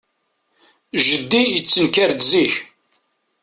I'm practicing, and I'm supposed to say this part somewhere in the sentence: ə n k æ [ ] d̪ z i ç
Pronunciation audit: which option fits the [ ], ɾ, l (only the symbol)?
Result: ɾ